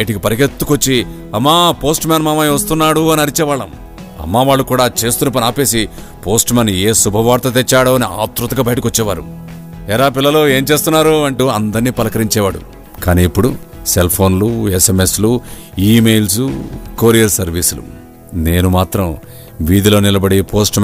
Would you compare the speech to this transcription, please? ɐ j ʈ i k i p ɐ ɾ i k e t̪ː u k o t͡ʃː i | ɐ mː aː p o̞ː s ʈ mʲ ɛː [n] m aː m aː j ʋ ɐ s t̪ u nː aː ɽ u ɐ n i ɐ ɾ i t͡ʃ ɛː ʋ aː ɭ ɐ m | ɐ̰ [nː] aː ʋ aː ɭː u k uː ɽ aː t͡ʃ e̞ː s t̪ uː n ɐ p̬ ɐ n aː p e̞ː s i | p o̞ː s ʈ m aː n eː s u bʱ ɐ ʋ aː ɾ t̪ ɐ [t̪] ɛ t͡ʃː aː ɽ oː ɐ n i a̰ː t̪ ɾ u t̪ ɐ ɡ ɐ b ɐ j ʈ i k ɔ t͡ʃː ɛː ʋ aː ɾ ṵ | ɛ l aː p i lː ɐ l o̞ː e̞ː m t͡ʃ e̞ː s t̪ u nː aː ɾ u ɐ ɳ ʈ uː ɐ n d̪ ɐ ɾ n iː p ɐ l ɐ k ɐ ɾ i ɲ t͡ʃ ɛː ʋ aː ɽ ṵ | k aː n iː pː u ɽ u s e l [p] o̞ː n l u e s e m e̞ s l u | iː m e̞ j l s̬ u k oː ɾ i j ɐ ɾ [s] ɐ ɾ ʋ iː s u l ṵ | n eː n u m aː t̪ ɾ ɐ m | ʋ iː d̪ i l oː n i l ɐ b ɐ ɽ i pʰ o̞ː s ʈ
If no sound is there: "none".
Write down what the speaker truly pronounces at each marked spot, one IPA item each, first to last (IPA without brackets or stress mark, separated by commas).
n, mː, t̪, pʰ, s